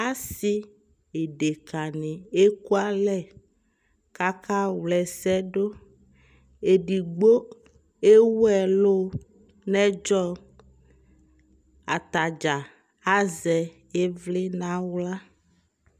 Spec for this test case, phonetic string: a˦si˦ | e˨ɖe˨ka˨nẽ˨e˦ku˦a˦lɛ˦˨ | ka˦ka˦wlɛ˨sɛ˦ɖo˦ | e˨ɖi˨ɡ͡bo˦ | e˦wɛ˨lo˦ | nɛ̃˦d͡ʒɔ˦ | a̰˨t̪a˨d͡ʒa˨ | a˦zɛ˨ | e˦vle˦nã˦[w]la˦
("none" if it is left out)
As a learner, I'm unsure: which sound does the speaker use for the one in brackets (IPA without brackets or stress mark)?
w